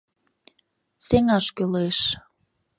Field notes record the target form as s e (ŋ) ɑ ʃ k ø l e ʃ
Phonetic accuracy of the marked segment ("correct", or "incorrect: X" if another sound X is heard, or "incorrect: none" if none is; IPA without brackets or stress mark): correct